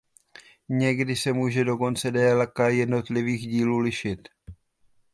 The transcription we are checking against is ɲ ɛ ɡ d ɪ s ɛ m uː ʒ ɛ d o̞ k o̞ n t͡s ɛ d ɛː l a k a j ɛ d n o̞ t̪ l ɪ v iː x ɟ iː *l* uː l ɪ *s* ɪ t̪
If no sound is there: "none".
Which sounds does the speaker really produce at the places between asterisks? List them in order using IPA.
l, ʃ

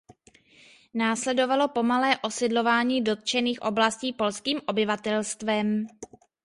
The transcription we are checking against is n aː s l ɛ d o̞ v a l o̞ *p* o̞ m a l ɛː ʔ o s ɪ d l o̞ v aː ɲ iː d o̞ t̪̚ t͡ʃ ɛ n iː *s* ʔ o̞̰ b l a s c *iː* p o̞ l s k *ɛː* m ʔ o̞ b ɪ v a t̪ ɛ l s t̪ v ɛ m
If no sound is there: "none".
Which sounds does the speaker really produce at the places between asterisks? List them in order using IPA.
p, x, iː, iː

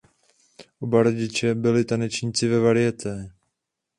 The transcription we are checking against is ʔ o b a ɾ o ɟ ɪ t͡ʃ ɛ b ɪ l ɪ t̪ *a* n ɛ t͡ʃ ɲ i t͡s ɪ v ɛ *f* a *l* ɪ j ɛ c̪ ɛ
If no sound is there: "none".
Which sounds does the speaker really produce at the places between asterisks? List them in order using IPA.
a, v, ɾ

